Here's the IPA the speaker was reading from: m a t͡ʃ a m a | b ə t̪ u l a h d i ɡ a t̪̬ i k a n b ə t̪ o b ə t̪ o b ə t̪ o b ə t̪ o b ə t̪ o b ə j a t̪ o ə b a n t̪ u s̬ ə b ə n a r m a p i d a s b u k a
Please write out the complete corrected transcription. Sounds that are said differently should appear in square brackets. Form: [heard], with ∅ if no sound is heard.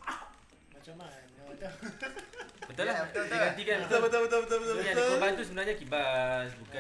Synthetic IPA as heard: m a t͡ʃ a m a | b ə t̪ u l a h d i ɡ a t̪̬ i k a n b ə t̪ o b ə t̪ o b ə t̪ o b ə t̪ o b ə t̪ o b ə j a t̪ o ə b a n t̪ u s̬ ə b ə n a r [ɲ] a [k] i [b] a s b u k a